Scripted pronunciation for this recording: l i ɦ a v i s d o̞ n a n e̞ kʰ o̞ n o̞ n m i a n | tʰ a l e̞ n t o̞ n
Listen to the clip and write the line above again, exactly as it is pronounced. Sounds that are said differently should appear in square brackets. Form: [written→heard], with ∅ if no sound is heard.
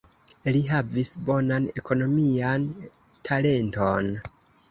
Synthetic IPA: l i ɦ a v i s [d→b] o̞ n a n e̞ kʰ o̞ n o̞ [n→∅] m i a n | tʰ a l e̞ n t o̞ n

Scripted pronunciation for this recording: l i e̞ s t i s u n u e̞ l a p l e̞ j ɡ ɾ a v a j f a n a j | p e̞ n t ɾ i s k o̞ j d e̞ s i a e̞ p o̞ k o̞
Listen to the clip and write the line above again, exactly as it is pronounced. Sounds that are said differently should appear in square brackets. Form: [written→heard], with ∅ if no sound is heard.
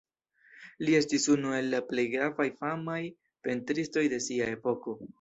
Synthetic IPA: l i e̞ s t i s u n u e̞ [l→lː] a p l e̞ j ɡ ɾ a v a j f a [n→m] a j | p e̞ n t ɾ i s [k→t] o̞ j d e̞ s i a e̞ p o̞ k o̞

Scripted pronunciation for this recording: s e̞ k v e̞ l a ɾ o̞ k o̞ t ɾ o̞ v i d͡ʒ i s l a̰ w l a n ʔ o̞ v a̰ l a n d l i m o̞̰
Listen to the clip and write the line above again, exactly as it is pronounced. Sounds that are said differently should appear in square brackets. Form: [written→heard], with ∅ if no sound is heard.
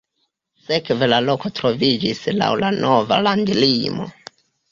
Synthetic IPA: s e̞ k v e̞ l a [ɾ→l] o̞ k o̞ t ɾ o̞ v i d͡ʒ i s l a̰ w l a n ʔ o̞ v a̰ l a n d l i m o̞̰

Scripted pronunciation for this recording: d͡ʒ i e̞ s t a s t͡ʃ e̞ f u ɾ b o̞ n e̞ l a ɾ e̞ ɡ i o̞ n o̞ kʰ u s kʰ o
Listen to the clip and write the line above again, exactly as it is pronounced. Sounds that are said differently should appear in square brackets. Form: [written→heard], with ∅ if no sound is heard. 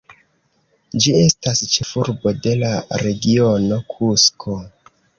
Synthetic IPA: d͡ʒ i e̞ s t a s t͡ʃ e̞ f u ɾ b o̞ [n→d] e̞ l a ɾ e̞ ɡ i o̞ n o̞ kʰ u s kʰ o

